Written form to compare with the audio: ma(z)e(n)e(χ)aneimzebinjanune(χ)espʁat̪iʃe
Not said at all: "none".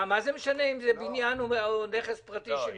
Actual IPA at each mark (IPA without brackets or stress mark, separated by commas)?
z, m, ʃ, χ